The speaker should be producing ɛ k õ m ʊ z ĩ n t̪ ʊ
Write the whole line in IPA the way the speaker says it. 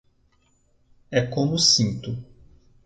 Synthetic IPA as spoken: ɛ k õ m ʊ s ĩ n t̪ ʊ